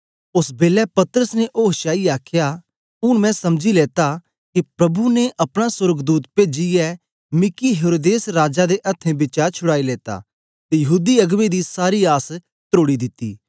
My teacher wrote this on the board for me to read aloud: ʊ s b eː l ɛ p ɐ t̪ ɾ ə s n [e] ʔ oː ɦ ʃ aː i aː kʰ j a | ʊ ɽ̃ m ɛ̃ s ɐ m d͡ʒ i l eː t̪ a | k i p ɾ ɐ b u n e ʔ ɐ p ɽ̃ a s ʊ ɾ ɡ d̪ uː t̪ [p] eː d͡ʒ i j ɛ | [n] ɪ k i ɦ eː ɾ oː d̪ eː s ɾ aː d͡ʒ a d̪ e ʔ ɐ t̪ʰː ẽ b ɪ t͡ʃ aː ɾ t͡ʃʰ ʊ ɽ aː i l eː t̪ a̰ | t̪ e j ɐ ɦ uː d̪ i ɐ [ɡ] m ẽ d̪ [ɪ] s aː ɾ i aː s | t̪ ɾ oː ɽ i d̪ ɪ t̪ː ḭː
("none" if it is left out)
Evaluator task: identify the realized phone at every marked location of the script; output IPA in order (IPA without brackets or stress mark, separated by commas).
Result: e, p, m, ɡ, i